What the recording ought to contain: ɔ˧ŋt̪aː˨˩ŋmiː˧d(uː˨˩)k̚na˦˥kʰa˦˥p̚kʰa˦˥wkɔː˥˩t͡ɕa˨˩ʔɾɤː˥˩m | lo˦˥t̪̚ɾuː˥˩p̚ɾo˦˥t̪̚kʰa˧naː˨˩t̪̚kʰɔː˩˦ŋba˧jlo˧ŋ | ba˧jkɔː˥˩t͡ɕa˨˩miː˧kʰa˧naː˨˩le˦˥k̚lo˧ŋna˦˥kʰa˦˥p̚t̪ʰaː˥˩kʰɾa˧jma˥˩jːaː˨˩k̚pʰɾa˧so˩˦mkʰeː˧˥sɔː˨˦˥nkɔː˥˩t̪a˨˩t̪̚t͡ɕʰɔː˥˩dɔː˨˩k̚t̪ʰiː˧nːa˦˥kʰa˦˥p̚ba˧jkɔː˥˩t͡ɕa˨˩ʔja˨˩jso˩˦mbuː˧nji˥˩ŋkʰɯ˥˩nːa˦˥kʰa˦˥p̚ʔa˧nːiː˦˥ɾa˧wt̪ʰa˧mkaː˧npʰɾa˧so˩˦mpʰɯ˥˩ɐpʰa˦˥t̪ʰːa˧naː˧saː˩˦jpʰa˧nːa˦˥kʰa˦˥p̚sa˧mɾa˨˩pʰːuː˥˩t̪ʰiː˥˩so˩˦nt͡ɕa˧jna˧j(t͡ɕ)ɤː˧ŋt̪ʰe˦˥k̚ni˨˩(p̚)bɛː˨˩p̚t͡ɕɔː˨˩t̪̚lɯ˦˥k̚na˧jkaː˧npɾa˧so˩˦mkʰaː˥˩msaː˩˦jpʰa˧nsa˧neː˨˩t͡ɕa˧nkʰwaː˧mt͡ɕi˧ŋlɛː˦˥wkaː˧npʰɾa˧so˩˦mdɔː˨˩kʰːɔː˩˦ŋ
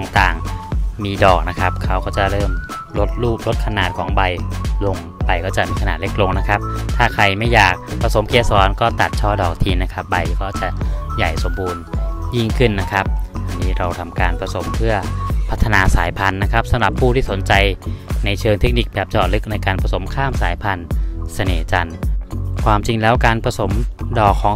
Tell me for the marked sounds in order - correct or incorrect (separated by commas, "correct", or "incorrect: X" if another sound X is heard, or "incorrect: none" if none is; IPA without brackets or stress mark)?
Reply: incorrect: ɔː˨˩, incorrect: t͡ɕʰ, incorrect: k̚